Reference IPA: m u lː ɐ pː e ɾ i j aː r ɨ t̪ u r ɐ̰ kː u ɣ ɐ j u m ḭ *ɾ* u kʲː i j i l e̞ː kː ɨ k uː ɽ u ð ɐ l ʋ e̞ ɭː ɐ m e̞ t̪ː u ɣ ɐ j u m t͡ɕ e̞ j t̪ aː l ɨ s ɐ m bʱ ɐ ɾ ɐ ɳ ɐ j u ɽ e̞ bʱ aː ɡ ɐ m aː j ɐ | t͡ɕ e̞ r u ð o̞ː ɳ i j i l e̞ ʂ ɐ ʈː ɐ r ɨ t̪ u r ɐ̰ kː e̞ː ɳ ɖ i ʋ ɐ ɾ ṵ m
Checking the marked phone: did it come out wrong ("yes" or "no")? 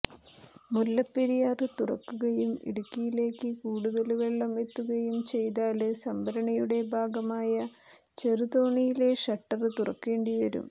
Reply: yes